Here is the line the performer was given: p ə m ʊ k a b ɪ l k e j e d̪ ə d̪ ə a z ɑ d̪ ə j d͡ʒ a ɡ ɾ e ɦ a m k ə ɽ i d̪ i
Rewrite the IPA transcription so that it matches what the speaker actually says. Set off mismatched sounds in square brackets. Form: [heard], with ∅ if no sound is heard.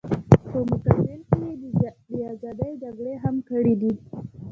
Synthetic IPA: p ə m ʊ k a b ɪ l k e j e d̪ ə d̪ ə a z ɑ d̪ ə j d͡ʒ a ɡ [ɽ] e ɦ a m k ə ɽ i d̪ i